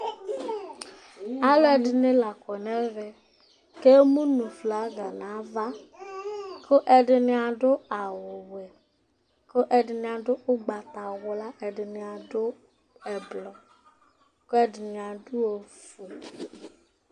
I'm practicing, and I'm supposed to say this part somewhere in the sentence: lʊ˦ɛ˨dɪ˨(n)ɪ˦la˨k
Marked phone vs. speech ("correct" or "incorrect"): correct